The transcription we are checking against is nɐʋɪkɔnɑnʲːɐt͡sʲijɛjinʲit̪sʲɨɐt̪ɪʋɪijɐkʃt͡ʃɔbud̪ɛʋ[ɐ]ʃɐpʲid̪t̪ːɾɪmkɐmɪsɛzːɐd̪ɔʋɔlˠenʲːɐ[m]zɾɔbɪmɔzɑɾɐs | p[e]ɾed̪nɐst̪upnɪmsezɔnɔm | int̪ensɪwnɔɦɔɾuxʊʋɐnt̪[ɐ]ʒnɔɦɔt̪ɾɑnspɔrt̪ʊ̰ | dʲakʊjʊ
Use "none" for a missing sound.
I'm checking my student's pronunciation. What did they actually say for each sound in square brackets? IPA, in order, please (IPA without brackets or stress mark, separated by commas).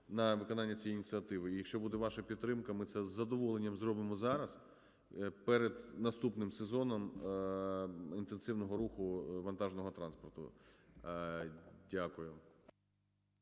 ɑ, m, ɛ, ɑ